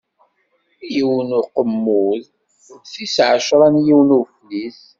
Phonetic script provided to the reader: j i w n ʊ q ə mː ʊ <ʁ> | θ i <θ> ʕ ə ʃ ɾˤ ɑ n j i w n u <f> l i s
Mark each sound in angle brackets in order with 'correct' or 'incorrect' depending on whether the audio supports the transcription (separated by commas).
incorrect, incorrect, correct